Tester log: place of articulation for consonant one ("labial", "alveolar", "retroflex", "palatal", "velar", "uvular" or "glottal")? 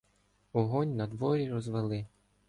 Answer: glottal